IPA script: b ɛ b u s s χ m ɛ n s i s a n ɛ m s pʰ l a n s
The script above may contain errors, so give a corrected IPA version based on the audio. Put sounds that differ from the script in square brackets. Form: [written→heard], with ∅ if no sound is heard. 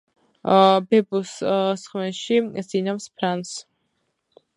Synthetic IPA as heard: b ɛ b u s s χ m ɛ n [s→ʃ] i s [a→i] n [ɛ→a] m s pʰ [l→ɾ] a n s